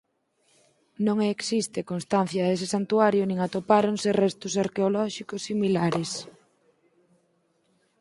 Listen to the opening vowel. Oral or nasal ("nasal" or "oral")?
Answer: nasal